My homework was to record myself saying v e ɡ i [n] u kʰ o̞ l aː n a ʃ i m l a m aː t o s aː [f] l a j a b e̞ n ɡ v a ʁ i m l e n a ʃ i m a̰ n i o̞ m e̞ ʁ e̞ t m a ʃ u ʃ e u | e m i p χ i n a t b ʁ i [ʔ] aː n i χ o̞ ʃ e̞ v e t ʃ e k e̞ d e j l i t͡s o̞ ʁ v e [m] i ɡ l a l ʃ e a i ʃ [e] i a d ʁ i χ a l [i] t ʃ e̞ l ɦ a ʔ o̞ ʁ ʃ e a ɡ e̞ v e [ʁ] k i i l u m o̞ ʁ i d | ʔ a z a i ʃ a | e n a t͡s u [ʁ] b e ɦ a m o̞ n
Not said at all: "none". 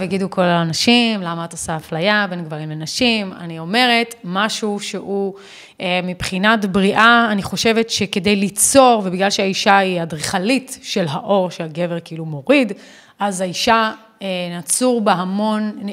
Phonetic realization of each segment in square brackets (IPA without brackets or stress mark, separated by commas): d, f, ʔ, b, a, i, ʁ, ʁ